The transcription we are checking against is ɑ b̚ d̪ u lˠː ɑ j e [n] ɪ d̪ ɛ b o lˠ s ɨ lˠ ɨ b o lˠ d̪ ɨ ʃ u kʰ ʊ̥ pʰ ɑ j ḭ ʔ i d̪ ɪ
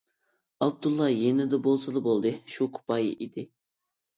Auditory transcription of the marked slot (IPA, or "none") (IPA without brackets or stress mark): n